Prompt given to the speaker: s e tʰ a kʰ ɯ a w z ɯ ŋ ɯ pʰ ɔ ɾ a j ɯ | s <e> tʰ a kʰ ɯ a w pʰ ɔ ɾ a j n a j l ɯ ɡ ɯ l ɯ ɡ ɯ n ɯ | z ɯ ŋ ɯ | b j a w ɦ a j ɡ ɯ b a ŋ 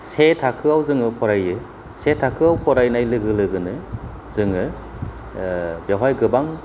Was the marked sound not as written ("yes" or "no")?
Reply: no